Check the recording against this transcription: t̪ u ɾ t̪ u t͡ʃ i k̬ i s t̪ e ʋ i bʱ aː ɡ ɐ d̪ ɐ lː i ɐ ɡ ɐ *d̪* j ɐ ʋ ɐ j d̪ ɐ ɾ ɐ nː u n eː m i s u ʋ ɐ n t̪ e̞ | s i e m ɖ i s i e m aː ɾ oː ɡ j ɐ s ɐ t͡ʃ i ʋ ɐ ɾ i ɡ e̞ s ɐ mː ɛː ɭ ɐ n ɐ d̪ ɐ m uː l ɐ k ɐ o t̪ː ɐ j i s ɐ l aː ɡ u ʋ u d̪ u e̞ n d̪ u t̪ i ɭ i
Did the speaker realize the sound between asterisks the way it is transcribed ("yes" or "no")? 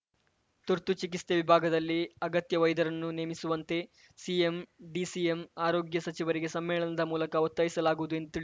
no